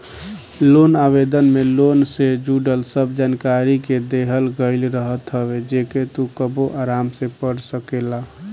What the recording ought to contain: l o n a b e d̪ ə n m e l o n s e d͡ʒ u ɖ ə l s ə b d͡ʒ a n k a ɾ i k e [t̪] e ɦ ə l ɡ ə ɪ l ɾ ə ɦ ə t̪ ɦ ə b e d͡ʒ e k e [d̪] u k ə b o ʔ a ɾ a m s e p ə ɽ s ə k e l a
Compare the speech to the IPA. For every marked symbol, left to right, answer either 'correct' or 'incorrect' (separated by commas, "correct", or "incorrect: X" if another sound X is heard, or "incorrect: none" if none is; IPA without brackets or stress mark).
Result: incorrect: d̪, incorrect: t̪